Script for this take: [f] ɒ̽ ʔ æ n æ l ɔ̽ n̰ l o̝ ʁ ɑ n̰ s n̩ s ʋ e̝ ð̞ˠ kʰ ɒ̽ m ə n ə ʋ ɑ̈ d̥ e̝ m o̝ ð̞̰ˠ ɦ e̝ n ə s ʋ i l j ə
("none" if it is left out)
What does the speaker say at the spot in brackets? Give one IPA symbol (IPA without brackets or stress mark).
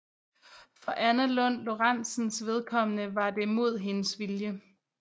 f